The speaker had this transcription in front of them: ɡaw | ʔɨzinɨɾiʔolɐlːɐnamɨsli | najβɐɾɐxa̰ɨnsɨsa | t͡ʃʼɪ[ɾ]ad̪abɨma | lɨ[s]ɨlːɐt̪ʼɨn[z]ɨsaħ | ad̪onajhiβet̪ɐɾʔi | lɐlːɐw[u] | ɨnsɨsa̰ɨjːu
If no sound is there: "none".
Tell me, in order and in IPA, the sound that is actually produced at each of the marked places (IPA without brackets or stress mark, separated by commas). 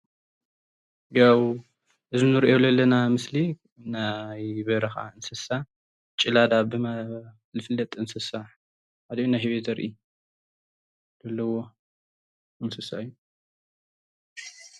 l, f, s, o